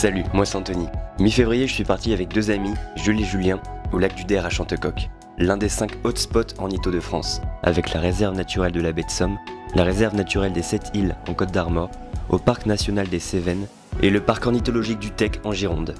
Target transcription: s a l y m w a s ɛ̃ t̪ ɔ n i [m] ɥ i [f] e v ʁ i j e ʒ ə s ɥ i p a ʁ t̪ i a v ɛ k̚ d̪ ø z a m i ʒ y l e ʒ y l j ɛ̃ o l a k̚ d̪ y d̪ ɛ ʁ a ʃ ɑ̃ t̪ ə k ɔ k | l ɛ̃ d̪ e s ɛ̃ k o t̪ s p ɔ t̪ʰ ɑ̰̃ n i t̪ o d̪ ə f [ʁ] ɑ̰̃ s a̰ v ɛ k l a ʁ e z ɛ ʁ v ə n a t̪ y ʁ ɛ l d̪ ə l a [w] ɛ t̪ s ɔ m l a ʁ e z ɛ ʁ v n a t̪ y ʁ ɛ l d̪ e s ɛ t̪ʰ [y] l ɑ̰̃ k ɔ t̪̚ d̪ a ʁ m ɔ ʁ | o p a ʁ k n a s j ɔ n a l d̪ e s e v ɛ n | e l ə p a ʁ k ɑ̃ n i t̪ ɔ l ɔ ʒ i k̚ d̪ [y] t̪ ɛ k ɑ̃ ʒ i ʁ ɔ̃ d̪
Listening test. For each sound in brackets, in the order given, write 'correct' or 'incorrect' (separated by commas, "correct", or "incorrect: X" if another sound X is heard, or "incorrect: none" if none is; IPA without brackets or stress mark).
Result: correct, correct, incorrect: χ, incorrect: b, incorrect: i, correct